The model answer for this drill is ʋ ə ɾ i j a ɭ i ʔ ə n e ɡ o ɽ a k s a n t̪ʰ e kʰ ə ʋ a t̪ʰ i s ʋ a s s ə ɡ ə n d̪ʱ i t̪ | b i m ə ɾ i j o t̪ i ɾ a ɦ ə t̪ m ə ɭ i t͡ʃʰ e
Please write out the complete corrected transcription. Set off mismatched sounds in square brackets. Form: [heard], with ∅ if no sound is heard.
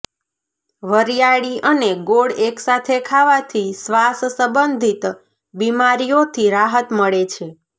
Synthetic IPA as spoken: ʋ ə ɾ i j a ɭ i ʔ ə n e ɡ o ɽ [e] k s a [∅] t̪ʰ e kʰ [a] ʋ a t̪ʰ i s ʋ a s s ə [b] ə n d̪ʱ i t̪ | b i m [a] ɾ i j o [t̪ʰ] i ɾ a ɦ ə t̪ m ə ɭ [e] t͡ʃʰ e